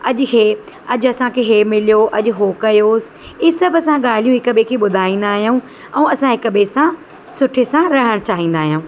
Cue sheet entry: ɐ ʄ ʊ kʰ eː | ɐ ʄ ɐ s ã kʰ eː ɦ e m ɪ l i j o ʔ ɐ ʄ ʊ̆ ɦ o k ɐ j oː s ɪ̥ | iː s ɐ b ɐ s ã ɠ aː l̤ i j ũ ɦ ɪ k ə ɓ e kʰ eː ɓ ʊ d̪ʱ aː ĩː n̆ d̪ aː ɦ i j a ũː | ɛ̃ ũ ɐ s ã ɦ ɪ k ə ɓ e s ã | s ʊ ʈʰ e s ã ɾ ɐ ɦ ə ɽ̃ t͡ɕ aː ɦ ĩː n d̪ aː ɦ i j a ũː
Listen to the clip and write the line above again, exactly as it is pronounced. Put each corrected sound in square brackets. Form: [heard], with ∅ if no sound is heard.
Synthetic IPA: ɐ ʄ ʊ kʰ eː | ɐ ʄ ɐ s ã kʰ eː ɦ e m ɪ l i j o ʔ ɐ ʄ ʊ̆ ɦ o k ɐ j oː s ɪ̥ | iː s ɐ b ɐ s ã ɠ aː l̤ i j ũ ɦ ɪ k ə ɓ e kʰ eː ɓ ʊ d̪ʱ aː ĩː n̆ d̪ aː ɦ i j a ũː | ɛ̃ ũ ɐ s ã ɦ ɪ k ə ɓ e s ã | s ʊ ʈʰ e s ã ɾ ɐ ɦ ə ɽ̃ t͡ɕ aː ɦ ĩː n d̪ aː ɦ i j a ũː